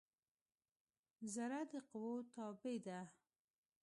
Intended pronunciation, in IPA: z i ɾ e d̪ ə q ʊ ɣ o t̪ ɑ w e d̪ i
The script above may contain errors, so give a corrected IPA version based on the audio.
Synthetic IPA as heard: z a ɾ a d̪ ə q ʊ w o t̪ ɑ b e d̪ a